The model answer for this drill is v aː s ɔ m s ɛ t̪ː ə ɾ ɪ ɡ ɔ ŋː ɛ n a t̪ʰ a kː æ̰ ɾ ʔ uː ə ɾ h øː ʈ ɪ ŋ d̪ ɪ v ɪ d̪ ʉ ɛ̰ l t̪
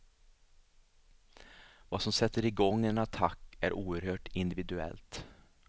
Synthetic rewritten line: v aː s ɔ m s ɛ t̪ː ə ɾ ɪ ɡ ɔ ŋː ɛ n a t̪ʰ a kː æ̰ ɾ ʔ uː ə ɾ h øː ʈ ɪ n d̪ ɪ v ɪ d̪ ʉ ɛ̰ l t̪